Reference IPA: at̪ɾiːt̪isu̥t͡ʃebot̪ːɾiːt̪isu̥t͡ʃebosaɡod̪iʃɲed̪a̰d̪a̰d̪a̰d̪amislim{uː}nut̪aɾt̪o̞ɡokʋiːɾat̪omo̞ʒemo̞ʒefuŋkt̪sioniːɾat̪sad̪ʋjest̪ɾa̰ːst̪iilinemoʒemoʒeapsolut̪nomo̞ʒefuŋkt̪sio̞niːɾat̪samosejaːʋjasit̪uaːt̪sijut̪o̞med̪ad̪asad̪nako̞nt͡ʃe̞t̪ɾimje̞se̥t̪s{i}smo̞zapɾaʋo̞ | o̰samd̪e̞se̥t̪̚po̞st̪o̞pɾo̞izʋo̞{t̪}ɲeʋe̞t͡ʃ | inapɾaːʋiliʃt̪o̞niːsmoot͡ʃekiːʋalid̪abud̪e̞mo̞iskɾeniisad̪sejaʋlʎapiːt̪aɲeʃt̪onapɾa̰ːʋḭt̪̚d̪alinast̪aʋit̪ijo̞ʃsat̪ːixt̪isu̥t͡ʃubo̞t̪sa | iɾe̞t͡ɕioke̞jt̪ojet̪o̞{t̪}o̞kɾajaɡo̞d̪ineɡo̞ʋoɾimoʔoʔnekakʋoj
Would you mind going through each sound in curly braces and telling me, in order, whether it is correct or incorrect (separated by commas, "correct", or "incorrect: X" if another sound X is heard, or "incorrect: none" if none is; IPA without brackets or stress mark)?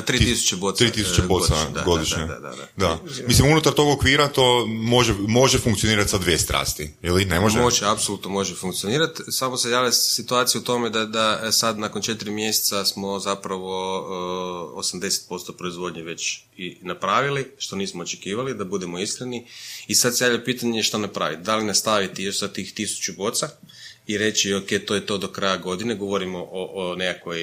incorrect: u, incorrect: a, incorrect: d̪, incorrect: d̪